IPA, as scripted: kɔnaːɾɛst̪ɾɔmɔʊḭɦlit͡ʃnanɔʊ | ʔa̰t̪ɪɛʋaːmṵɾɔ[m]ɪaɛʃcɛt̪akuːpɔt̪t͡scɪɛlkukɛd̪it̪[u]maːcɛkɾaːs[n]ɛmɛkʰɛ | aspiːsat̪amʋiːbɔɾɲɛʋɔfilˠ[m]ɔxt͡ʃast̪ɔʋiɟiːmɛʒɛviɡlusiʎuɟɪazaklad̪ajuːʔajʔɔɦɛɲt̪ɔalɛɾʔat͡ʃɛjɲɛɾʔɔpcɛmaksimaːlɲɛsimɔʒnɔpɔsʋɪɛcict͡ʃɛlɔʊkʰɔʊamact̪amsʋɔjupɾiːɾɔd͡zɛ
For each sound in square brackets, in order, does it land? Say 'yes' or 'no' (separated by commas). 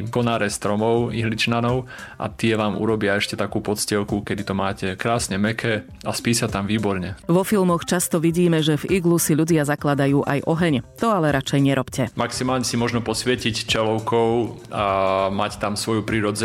no, no, no, yes